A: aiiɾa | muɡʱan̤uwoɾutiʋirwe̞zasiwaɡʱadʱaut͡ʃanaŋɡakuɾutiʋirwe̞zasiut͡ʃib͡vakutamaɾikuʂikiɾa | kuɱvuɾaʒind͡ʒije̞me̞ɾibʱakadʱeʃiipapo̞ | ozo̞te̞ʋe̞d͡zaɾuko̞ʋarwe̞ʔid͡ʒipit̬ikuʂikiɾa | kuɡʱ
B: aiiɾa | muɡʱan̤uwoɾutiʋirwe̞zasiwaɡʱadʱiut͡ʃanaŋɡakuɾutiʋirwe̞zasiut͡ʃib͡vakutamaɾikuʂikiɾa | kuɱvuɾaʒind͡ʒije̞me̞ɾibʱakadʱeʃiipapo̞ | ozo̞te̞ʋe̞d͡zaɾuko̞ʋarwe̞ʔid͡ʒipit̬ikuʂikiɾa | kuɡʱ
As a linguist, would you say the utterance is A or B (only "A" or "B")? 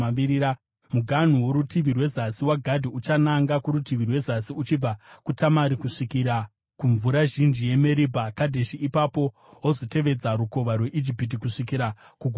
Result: B